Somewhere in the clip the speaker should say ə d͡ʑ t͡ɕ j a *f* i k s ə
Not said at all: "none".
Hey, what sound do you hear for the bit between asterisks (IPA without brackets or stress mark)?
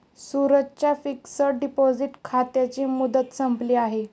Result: f